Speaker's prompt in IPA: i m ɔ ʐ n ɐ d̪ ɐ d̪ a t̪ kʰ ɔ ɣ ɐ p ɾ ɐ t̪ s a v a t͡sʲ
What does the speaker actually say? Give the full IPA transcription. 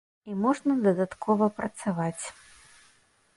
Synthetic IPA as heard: i m ɔ ʐ n ɐ d̪ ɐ d̪ a t̪ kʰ ɔ v ɐ p ɾ ɐ t̪ s a v a t͡sʲ